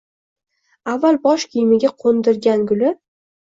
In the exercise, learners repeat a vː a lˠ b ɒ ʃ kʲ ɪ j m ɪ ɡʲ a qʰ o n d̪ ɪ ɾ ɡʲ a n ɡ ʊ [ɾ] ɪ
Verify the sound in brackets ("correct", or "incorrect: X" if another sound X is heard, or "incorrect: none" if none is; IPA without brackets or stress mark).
incorrect: l